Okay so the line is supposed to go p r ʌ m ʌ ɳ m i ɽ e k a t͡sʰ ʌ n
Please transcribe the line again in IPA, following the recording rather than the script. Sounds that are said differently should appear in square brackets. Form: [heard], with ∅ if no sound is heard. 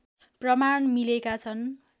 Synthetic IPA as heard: p r ʌ m [a] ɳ m i [l] e k a t͡sʰ ʌ n